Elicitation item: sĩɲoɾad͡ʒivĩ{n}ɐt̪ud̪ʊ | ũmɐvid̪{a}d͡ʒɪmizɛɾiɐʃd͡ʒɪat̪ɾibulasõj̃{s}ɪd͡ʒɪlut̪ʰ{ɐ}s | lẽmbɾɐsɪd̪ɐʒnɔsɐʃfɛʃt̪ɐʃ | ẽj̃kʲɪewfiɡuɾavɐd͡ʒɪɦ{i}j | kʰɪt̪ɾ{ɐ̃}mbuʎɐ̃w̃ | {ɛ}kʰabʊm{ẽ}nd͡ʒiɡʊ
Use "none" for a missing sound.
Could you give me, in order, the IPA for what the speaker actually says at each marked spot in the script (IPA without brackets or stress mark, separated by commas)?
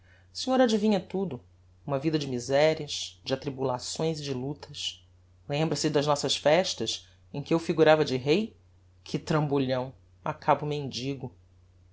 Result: ɲ, ɐ, z, ɐ, e, ɐ̃, a, ẽ